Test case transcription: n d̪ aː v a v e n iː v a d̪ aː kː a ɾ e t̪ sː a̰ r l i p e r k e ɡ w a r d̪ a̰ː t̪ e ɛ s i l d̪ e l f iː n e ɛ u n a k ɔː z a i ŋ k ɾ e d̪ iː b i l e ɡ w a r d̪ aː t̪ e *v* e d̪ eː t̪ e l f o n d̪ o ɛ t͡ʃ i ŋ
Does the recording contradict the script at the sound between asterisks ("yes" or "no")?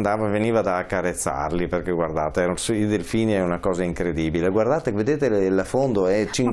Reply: no